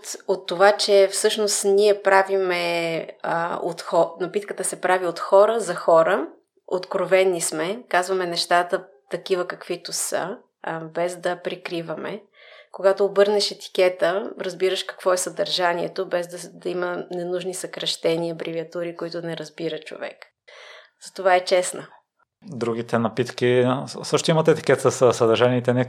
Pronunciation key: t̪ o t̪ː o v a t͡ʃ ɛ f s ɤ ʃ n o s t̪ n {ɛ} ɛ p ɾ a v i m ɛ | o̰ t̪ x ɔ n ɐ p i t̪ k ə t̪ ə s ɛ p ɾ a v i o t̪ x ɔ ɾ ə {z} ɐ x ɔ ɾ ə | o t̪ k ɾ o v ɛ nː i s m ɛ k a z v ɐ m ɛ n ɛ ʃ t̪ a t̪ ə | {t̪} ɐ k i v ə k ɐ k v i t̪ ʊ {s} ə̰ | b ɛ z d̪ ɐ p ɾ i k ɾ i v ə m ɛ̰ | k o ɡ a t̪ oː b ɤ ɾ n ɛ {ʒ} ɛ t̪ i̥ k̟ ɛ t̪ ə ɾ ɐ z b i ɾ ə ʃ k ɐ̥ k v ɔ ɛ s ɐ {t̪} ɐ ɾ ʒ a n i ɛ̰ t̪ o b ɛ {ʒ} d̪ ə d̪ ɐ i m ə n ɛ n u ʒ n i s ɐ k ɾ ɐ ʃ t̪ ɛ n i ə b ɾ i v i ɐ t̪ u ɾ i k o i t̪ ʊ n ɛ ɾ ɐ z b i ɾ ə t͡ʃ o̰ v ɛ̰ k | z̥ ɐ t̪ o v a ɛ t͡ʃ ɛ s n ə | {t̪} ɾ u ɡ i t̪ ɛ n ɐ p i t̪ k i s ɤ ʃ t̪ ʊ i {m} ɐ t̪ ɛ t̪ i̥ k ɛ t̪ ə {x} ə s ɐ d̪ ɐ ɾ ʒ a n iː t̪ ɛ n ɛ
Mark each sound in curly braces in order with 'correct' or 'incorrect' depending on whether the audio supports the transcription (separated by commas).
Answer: incorrect, correct, correct, correct, incorrect, incorrect, incorrect, incorrect, correct, incorrect